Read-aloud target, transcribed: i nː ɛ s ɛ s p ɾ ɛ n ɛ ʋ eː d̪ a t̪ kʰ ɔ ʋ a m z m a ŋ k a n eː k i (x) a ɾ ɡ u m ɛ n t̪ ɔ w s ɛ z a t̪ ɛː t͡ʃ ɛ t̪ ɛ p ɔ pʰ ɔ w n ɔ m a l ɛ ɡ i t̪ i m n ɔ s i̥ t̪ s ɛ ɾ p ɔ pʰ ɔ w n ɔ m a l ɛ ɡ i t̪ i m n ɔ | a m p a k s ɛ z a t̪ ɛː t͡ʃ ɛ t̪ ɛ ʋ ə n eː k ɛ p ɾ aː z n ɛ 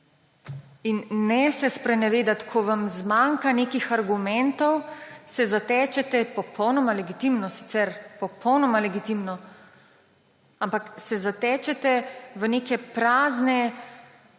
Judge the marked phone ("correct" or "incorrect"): correct